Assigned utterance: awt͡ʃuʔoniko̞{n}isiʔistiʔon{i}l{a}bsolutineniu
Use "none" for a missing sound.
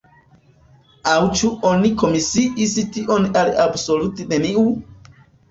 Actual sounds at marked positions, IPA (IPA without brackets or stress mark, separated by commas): m, a, a